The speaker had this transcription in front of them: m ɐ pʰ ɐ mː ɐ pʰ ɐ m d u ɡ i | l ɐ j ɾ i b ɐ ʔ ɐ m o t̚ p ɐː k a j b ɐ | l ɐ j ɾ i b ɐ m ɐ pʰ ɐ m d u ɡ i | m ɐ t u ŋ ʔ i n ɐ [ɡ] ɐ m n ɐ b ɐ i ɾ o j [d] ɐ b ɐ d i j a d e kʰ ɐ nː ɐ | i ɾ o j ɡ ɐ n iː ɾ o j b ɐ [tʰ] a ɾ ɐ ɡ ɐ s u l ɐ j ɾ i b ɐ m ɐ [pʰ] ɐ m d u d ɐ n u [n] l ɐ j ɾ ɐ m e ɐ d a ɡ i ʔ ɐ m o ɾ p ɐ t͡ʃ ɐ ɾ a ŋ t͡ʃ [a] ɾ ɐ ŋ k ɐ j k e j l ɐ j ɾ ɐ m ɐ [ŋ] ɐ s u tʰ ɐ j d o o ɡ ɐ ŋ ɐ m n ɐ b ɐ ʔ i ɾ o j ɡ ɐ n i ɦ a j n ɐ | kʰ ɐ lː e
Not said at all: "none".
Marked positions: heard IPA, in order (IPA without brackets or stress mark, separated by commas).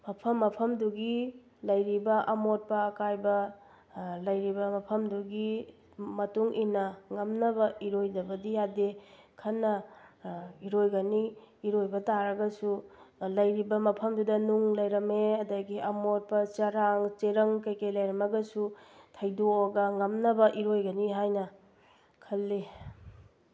ŋ, d, t, pʰ, ŋ, e, ɡ